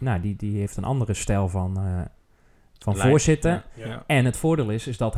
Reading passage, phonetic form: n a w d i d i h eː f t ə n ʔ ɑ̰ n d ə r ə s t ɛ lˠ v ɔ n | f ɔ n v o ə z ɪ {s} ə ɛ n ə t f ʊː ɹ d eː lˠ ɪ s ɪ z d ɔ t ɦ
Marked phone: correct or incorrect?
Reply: incorrect